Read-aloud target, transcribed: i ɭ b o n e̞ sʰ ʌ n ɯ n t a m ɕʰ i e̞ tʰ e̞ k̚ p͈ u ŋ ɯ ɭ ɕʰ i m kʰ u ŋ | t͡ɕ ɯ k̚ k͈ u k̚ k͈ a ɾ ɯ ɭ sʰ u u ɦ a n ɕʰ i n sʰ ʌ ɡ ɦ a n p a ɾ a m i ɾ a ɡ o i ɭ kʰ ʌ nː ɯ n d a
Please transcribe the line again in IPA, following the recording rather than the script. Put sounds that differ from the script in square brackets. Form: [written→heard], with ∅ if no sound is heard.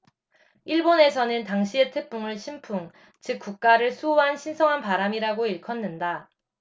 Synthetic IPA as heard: i ɭ b o n e̞ sʰ ʌ n ɯ n t a [m→ŋ] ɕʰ i e̞ tʰ e̞ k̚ p͈ u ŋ ɯ ɭ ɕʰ i m [kʰ→pʰ] u ŋ | t͡ɕ ɯ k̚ k͈ u k̚ k͈ a ɾ ɯ ɭ sʰ u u ɦ a n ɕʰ i n sʰ ʌ [ɡ→ŋ] ɦ a n p a ɾ a m i ɾ a ɡ o i ɭ kʰ ʌ nː ɯ n d a